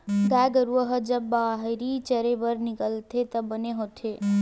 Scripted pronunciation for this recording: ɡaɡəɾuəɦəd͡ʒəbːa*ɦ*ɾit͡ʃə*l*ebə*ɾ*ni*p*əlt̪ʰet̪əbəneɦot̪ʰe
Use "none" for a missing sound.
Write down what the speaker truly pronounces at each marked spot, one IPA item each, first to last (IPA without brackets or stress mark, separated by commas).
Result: ɦ, ɾ, ɾ, k